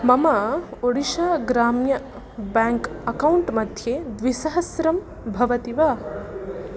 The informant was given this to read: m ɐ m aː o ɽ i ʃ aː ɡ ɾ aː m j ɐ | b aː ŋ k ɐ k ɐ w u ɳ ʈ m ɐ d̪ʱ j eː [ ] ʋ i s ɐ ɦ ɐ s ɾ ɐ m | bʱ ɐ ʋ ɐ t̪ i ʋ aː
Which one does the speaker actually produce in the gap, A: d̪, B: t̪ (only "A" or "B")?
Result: A